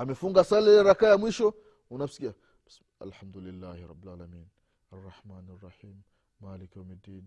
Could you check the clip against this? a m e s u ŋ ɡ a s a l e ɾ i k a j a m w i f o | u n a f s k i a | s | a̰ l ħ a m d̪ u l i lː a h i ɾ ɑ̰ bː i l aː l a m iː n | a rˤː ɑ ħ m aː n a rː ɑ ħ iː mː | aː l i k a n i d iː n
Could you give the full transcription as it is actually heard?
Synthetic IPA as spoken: a m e f u ŋ ɡ a s a l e ɾ a k a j a m w i ʃ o | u n a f s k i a | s | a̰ l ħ a m d̪ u l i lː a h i ɾ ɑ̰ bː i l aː l a m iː n | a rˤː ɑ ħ m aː n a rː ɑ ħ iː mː | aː l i k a m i d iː n